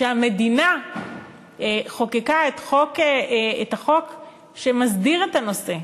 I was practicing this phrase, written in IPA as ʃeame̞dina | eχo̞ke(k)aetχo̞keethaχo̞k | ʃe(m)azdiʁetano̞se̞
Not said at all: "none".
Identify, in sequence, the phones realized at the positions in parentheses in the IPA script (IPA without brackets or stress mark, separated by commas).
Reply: k, m